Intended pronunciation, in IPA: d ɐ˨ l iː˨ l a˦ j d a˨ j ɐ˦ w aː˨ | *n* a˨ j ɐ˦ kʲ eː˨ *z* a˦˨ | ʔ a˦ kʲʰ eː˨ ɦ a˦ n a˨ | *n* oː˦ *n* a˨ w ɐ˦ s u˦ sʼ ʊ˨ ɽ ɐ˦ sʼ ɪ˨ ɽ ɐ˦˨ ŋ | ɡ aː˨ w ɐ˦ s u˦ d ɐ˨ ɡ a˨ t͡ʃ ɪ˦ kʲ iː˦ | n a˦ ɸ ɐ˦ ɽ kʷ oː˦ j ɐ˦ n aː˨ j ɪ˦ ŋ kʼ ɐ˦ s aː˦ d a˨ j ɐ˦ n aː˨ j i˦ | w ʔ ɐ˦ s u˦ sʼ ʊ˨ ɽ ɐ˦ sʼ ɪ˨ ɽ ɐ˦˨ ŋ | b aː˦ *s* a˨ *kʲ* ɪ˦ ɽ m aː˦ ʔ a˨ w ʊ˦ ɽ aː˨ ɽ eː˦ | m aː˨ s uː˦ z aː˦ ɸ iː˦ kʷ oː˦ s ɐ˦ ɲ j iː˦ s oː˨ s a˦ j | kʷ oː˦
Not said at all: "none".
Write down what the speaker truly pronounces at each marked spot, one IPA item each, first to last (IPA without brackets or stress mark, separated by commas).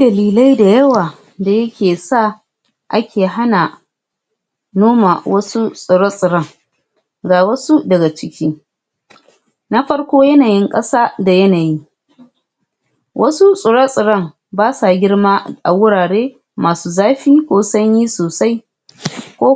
d, s, n, m, s, ɡʲ